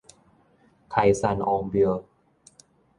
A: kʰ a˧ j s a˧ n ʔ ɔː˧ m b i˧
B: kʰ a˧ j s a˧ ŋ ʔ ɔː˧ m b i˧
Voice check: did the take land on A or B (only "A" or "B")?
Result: A